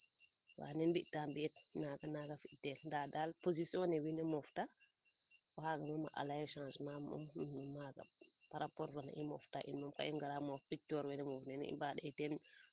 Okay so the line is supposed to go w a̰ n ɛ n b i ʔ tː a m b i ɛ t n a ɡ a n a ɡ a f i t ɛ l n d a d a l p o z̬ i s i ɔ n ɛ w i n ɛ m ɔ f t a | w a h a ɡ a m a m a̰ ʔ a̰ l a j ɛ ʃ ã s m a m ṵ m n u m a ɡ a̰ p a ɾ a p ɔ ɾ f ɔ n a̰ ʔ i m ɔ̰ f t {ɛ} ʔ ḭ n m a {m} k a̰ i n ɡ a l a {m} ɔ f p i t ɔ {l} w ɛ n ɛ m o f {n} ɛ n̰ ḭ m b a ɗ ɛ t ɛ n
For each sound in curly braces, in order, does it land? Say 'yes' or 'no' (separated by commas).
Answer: no, yes, yes, no, yes